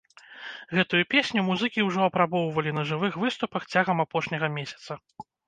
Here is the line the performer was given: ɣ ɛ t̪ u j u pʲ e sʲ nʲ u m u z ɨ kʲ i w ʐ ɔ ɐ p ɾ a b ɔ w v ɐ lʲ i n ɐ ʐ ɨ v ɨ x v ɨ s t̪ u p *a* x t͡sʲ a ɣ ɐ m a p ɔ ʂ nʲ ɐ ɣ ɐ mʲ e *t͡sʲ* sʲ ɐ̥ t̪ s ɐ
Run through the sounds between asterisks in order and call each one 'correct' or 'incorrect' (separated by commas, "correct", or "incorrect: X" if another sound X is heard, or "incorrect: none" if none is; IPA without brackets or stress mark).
incorrect: ɐ, incorrect: none